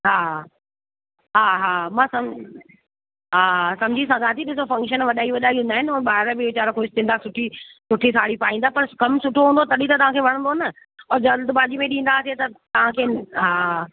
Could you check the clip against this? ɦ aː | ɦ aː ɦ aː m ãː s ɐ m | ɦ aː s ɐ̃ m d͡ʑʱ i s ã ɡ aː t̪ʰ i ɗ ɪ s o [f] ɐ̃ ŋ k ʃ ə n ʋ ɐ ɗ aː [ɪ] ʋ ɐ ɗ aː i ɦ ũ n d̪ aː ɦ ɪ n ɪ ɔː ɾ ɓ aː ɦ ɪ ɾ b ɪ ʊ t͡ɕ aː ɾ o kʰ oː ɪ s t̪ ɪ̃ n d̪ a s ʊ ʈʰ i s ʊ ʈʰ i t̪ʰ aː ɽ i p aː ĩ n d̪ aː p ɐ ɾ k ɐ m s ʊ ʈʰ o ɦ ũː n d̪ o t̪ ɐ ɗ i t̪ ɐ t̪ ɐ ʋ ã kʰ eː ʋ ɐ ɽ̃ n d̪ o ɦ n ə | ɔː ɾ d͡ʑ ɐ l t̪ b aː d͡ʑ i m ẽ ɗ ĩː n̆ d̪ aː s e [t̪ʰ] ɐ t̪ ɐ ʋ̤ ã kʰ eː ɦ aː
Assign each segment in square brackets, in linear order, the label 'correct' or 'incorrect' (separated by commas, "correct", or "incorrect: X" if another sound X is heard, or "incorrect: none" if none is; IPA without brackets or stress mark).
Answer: correct, incorrect: i, incorrect: t̪